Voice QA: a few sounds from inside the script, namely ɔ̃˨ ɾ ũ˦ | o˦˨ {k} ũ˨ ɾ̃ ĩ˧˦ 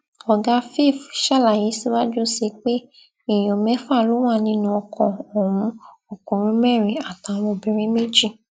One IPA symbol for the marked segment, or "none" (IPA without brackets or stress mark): k